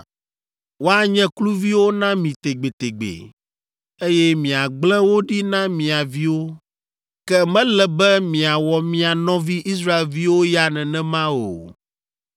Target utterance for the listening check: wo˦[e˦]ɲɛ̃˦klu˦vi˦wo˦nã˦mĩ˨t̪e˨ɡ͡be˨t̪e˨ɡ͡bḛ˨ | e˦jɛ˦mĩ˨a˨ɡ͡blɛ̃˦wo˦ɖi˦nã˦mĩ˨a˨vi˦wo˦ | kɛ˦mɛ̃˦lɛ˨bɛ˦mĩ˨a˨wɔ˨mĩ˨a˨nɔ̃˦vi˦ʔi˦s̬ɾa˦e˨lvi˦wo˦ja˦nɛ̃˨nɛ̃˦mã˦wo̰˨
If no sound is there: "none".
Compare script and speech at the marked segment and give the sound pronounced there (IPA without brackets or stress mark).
a˦